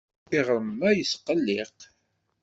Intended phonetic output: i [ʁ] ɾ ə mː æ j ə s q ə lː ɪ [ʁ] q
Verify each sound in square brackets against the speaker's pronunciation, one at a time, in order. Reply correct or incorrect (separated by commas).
correct, incorrect